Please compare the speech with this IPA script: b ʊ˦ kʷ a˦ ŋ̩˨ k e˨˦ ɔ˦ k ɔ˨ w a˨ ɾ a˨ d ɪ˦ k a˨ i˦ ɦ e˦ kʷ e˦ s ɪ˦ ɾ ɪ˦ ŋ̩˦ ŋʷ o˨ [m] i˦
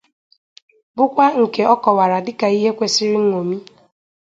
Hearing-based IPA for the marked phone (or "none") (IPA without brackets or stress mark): m